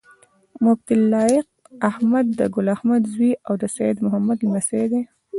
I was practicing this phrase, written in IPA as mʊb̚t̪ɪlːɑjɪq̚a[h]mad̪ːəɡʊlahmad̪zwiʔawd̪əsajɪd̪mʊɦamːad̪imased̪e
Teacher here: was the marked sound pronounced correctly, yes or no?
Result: yes